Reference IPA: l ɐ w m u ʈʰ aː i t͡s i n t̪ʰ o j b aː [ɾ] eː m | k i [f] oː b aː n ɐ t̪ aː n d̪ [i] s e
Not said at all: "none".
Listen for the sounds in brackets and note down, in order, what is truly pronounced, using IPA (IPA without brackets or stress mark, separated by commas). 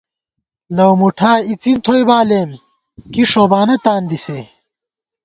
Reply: l, ʂ, i